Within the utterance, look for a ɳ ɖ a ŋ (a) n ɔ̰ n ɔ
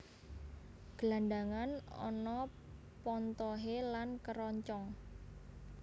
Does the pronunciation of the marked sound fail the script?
no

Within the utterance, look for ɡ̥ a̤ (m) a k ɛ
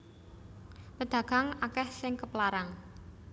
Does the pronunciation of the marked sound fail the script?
yes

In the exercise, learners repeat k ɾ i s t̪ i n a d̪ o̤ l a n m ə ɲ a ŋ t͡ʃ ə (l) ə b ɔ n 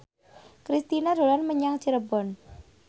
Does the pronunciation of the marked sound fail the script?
yes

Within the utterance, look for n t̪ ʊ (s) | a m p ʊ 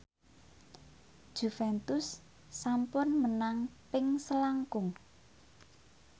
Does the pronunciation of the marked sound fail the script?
yes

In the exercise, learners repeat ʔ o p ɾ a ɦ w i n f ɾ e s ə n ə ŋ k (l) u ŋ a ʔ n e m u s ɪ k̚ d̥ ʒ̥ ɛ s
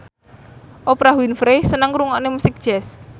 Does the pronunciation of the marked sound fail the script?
yes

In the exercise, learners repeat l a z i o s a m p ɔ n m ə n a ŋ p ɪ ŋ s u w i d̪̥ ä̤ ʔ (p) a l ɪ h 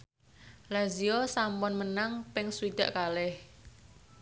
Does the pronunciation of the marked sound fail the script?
yes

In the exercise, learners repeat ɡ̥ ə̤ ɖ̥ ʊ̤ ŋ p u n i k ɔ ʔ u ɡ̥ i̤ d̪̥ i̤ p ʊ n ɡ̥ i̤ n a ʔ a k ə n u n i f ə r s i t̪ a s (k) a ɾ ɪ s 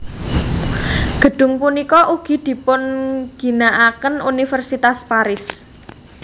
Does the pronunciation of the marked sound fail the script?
yes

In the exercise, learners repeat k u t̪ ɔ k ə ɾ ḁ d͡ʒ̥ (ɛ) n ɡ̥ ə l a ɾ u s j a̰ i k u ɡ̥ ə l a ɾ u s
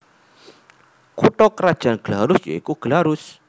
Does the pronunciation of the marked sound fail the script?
yes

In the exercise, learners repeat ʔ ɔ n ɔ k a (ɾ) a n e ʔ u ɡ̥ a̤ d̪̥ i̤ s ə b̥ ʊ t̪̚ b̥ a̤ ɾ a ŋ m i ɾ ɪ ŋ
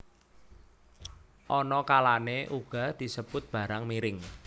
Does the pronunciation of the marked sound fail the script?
yes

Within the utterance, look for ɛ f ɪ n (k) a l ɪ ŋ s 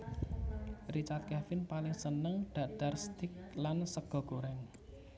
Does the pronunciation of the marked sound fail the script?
yes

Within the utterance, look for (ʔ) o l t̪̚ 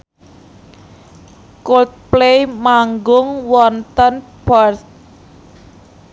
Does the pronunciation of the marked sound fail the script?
yes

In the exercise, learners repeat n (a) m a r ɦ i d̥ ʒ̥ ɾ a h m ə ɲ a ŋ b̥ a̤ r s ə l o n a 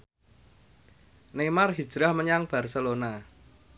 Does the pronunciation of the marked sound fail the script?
yes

